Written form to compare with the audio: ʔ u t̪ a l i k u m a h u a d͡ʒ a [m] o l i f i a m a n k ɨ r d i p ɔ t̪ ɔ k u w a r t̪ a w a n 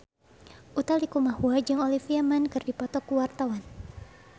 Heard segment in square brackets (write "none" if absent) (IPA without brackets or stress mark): ŋ